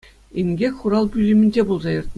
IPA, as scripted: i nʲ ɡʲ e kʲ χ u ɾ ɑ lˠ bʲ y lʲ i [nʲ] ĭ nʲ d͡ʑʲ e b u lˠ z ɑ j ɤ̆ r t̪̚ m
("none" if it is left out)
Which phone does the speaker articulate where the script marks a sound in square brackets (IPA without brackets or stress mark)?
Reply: mʲ